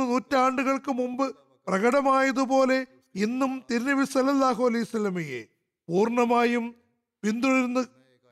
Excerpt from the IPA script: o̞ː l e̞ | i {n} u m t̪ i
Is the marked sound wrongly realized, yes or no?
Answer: yes